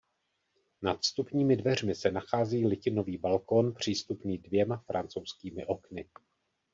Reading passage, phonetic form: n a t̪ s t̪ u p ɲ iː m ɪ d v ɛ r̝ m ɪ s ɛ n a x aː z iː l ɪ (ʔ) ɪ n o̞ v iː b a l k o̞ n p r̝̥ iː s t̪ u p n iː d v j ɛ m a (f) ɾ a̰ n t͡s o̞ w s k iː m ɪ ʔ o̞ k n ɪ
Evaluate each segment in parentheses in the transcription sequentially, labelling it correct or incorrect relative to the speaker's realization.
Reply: incorrect, correct

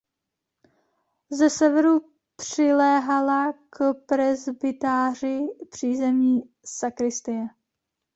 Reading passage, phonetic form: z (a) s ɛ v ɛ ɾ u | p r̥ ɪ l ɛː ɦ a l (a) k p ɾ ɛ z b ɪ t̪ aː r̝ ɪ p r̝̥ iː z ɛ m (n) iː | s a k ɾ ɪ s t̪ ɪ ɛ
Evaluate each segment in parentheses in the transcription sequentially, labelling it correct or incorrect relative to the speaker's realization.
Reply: incorrect, correct, incorrect

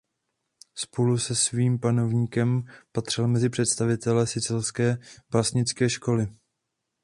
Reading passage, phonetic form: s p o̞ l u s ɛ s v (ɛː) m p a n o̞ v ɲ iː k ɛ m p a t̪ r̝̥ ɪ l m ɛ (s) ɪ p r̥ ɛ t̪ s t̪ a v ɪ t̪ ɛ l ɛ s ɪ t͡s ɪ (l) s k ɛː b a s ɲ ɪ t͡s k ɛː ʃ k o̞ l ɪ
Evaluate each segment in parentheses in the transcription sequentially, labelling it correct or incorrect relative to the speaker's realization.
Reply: incorrect, incorrect, correct

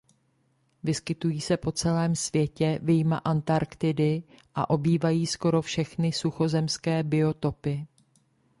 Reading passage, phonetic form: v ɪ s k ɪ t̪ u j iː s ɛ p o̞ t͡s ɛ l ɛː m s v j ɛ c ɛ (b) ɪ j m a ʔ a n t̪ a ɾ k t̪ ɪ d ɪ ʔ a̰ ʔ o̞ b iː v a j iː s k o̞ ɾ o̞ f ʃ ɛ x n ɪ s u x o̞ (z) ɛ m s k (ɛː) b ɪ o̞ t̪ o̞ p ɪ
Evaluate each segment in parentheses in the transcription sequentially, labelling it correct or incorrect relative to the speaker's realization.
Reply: incorrect, correct, correct

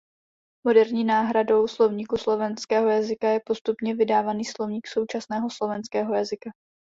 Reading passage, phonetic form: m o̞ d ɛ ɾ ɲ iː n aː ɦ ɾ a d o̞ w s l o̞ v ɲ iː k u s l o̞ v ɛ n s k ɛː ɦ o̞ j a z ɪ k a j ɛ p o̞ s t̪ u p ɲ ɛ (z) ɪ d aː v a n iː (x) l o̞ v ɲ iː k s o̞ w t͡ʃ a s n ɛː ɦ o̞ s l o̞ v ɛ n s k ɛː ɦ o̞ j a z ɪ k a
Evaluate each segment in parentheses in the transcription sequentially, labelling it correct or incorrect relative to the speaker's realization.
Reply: incorrect, incorrect

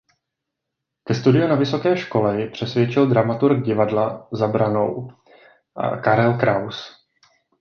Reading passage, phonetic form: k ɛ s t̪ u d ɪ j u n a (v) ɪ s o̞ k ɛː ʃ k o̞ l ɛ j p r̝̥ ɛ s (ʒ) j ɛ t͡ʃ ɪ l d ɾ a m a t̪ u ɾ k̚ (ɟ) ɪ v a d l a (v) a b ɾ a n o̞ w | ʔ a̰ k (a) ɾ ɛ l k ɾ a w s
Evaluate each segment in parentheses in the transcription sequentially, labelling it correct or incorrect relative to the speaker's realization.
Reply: correct, incorrect, correct, incorrect, correct

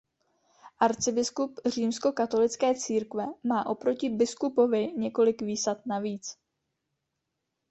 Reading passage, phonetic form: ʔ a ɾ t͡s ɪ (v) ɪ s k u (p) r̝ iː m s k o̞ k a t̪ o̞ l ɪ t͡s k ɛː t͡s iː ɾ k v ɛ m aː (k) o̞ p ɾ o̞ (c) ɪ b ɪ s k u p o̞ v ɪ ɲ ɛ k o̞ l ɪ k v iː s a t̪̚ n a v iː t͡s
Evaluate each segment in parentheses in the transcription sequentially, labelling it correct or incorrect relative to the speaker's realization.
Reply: incorrect, correct, incorrect, correct

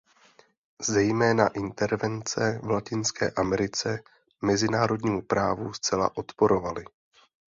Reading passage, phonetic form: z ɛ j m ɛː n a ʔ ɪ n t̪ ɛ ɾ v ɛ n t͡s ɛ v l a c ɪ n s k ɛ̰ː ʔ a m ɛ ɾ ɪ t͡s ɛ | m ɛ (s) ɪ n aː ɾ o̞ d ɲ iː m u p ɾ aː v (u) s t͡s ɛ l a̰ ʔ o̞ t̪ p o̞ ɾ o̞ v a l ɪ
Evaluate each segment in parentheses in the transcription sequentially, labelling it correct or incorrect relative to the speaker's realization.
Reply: incorrect, correct

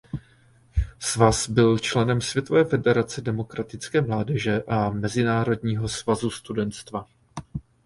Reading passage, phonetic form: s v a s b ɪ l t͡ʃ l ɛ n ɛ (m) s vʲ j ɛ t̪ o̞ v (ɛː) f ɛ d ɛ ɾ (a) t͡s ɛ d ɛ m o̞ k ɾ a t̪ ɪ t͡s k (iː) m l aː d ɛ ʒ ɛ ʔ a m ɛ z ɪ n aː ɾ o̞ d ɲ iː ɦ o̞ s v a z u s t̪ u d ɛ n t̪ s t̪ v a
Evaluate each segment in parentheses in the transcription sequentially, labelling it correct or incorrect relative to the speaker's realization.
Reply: correct, correct, correct, incorrect

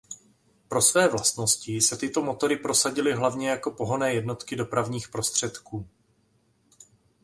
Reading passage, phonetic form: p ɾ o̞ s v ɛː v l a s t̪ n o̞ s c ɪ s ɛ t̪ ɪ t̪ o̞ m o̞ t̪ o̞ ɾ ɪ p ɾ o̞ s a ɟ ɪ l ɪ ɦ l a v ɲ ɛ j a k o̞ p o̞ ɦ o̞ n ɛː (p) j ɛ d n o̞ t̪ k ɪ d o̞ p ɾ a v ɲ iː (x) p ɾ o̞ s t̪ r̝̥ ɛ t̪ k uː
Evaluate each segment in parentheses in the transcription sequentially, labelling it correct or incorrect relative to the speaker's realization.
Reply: incorrect, correct

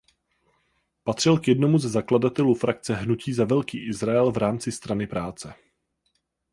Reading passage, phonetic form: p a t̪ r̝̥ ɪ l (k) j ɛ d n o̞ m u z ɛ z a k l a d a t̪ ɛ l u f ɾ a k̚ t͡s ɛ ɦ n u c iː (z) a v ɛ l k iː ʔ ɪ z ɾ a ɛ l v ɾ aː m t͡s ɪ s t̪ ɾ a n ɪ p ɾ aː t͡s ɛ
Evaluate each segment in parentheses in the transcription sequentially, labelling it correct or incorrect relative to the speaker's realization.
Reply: correct, correct

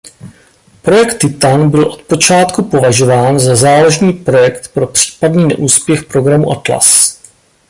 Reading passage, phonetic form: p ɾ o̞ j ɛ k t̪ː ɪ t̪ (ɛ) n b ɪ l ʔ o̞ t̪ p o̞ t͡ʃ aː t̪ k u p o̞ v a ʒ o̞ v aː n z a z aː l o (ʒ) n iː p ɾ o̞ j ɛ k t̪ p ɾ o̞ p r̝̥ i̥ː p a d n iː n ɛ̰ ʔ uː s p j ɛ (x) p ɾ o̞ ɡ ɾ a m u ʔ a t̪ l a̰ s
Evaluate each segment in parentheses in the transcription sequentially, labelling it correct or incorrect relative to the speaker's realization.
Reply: incorrect, correct, correct

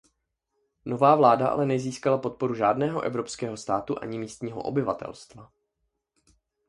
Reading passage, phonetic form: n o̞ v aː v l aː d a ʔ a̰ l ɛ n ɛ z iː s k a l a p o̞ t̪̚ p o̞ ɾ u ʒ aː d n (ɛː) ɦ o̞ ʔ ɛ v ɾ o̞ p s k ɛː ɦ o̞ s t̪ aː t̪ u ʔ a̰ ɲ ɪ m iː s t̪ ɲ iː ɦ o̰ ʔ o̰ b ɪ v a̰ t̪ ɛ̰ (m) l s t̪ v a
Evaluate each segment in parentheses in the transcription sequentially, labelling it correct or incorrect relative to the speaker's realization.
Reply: correct, incorrect

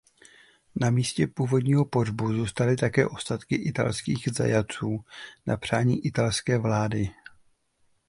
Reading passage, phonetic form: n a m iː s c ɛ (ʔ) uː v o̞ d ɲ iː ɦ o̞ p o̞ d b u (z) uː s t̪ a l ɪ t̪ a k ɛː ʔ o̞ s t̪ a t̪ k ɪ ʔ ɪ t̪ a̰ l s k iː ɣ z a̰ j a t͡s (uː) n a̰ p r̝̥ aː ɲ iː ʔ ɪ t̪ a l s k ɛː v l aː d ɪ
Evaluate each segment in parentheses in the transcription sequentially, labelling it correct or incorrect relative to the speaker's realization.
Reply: incorrect, correct, correct

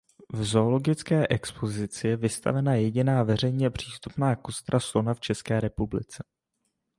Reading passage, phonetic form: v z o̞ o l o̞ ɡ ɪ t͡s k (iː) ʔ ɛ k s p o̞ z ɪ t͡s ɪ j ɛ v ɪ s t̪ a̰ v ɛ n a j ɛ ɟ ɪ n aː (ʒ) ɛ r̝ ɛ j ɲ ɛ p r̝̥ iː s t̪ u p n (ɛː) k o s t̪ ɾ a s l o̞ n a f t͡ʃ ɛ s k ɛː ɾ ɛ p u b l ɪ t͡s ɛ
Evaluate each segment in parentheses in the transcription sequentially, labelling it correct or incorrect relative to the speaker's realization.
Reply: incorrect, incorrect, incorrect

